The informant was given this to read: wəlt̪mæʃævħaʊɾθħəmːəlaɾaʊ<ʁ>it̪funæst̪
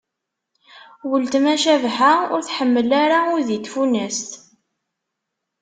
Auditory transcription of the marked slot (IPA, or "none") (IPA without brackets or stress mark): ð